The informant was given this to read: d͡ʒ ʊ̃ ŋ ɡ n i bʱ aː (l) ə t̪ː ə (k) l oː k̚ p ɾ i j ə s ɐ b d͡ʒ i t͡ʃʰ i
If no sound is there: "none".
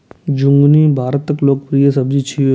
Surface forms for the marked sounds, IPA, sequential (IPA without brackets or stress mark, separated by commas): ɾ, k